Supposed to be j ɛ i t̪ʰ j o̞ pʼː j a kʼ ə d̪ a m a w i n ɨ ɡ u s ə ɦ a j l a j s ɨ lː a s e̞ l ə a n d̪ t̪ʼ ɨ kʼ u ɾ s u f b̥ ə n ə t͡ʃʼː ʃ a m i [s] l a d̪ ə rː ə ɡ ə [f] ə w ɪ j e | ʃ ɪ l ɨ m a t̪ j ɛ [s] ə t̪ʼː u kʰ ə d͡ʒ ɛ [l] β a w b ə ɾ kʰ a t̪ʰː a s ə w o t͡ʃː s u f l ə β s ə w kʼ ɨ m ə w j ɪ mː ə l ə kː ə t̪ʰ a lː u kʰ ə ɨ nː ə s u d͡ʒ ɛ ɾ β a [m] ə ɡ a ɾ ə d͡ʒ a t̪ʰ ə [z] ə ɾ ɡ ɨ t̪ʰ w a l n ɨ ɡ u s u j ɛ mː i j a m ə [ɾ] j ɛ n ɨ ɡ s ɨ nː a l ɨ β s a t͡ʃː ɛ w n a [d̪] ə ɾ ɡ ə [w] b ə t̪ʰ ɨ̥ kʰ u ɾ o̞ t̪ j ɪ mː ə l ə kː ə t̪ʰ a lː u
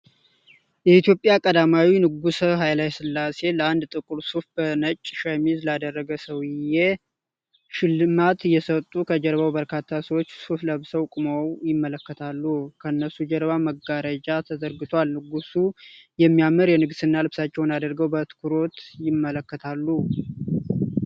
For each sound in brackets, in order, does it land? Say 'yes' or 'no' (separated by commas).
no, no, yes, no, yes, yes, yes, yes, yes